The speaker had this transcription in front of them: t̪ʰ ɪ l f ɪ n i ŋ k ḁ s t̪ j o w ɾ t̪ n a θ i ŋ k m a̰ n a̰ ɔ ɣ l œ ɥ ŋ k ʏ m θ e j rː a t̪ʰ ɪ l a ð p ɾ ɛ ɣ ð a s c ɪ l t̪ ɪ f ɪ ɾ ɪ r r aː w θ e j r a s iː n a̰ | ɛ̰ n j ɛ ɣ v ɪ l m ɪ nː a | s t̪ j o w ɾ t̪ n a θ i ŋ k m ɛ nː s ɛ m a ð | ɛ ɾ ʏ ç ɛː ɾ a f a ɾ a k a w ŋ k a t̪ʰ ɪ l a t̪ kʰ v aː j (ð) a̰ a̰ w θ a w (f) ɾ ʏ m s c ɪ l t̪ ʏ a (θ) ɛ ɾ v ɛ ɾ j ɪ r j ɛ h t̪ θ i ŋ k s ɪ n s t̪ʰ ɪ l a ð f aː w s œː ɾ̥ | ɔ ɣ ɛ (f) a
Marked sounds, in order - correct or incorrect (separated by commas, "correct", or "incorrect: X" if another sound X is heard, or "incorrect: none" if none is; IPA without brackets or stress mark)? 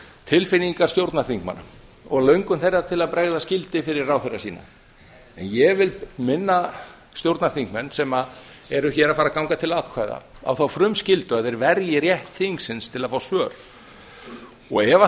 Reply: correct, correct, incorrect: ð, incorrect: v